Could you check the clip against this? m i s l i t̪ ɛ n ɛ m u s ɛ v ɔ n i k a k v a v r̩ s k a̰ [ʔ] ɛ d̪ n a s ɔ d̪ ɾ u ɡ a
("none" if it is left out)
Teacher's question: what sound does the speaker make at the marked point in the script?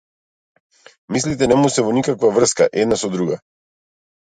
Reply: ʔ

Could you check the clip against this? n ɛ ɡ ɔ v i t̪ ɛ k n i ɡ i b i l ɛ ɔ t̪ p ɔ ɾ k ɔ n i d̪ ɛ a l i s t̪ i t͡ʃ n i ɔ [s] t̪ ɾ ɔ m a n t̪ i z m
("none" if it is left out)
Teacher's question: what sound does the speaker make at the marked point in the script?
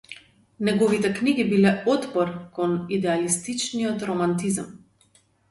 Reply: none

